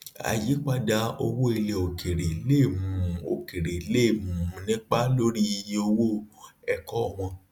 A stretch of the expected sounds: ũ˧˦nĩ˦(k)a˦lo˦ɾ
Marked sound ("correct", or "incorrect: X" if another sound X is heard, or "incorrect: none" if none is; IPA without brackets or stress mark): incorrect: k͡p